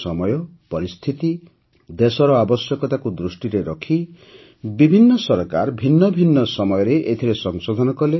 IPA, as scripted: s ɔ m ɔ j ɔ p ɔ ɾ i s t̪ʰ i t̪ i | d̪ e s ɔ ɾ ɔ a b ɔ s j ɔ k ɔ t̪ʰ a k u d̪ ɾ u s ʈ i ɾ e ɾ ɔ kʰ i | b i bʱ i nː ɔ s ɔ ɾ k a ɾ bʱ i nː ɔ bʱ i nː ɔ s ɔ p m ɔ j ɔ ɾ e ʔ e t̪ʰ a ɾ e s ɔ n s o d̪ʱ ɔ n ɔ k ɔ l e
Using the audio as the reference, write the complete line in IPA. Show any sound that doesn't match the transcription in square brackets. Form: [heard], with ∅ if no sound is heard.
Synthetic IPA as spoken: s ɔ m ɔ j ɔ p ɔ ɾ i s t̪ʰ i t̪ i | d̪ e s ɔ ɾ ɔ a b ɔ s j ɔ k ɔ [t̪] a k u d̪ ɾ u s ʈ i ɾ e ɾ ɔ kʰ i | b i bʱ i nː ɔ s ɔ ɾ k a ɾ bʱ i nː ɔ bʱ i nː ɔ s ɔ [∅] m ɔ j ɔ ɾ e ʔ e t̪ʰ [i] ɾ e s ɔ [ŋ] s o d̪ʱ ɔ n ɔ k ɔ l e